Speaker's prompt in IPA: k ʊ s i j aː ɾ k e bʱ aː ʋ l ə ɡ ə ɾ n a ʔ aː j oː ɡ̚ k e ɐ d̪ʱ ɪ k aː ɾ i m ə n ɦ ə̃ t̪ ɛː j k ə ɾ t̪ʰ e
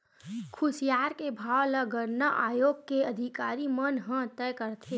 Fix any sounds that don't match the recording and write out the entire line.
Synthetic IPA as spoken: kʰ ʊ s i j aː ɾ k e bʱ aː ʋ l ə ɡ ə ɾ n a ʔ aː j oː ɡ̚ k e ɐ d̪ʱ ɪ k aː ɾ i m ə n ɦ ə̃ t̪ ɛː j k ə ɾ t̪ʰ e